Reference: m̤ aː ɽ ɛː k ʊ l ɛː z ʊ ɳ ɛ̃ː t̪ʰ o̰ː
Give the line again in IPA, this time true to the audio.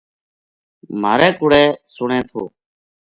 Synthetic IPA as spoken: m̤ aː ɾ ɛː k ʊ ɽ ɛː s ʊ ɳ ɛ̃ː t̪ʰ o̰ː